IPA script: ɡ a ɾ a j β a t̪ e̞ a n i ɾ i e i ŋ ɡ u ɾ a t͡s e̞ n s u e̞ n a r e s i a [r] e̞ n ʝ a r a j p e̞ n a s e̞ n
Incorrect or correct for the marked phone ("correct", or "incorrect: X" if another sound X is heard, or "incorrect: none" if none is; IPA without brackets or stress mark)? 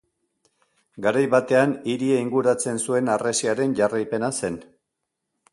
incorrect: ɾ